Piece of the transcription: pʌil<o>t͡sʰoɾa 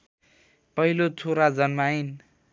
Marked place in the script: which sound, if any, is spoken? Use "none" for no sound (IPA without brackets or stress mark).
o